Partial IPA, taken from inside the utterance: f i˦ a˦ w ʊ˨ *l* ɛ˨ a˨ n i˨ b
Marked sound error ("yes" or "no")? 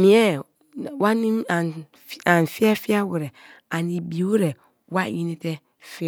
yes